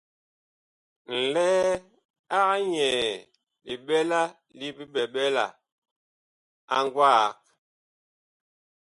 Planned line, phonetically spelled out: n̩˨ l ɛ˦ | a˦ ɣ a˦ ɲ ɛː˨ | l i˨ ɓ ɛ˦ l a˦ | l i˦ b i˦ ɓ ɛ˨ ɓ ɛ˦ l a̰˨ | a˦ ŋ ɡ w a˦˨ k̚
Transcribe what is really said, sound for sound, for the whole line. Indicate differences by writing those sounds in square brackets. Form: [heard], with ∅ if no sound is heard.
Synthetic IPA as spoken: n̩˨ l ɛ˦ | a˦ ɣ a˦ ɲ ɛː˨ | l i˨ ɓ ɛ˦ l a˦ | l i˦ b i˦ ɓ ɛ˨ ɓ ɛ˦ l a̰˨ | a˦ ŋ ɡ w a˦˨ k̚